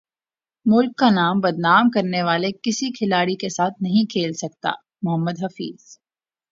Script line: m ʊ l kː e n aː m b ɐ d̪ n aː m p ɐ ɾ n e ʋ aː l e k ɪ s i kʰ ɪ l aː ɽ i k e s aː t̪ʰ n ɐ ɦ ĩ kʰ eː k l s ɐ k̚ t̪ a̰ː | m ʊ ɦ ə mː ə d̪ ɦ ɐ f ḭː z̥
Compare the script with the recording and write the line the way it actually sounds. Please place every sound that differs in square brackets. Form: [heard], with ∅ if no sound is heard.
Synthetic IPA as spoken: m ʊ l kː [a] n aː m b ɐ d̪ n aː m [k] ɐ ɾ n e ʋ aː l e k ɪ s i kʰ ɪ l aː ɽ i k e s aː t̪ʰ n ɐ ɦ ĩ kʰ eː [∅] l s ɐ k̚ t̪ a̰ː | m ʊ ɦ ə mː ə d̪ ɦ ɐ f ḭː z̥